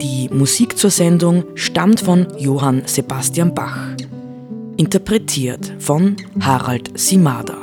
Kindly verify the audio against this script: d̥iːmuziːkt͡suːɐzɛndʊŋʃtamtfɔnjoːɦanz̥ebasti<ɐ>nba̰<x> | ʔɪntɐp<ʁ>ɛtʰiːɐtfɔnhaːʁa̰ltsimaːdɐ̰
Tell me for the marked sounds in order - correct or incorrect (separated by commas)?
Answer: incorrect, correct, correct